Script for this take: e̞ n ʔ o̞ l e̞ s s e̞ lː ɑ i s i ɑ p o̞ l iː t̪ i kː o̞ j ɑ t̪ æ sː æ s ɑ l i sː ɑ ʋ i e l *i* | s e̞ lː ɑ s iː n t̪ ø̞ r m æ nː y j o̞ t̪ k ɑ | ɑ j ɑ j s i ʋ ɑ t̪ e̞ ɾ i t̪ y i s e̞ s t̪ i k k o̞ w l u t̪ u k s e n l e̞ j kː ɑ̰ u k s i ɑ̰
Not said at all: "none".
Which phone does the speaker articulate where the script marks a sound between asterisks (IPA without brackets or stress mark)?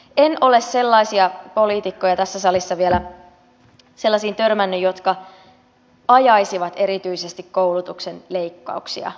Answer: æ